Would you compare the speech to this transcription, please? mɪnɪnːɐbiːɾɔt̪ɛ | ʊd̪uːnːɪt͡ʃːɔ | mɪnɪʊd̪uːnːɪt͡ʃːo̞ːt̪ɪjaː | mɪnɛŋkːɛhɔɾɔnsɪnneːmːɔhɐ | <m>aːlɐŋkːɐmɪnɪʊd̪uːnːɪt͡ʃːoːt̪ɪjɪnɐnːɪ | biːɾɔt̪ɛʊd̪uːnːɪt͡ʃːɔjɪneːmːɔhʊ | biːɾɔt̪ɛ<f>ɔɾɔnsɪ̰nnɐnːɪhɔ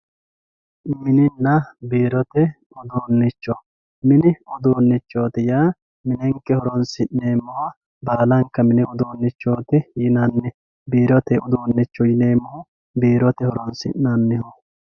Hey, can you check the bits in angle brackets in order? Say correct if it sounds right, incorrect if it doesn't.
incorrect: b, incorrect: h

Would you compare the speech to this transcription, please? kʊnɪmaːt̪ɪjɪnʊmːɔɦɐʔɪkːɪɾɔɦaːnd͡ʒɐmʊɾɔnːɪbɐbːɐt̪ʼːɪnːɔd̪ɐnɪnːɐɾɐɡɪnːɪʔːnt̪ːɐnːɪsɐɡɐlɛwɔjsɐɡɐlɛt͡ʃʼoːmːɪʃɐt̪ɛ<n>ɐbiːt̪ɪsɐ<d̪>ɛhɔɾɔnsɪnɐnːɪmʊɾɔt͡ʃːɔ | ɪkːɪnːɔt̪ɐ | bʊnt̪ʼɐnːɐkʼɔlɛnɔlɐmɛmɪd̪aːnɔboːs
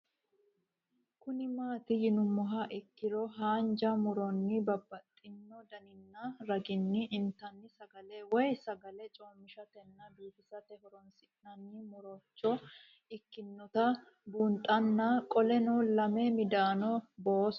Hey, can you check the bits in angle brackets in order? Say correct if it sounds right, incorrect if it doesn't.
incorrect: nː, incorrect: t̪

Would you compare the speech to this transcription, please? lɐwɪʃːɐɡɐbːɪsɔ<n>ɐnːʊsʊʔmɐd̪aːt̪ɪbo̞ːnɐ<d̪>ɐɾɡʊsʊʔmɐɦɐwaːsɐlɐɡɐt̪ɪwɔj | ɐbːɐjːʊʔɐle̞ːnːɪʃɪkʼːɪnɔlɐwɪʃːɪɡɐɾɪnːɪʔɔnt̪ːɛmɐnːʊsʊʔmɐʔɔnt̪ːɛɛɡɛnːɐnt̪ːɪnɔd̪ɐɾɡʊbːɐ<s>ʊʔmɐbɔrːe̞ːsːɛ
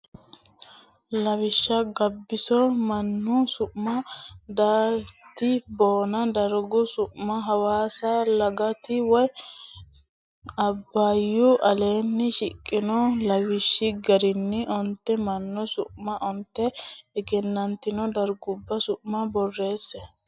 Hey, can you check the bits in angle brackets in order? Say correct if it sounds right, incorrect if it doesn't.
incorrect: m, correct, correct

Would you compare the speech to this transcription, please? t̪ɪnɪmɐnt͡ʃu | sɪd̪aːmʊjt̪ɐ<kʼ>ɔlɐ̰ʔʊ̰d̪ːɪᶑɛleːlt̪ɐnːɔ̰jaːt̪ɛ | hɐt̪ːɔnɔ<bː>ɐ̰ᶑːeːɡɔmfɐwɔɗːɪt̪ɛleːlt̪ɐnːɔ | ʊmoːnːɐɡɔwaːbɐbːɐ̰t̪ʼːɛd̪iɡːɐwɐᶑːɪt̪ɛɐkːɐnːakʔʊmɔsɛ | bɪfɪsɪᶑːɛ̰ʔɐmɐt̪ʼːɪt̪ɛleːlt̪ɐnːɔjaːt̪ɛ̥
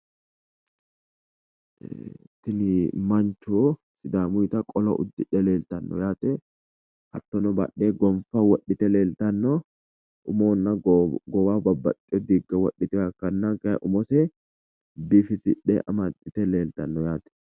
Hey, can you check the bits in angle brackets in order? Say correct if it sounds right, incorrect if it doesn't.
correct, incorrect: b

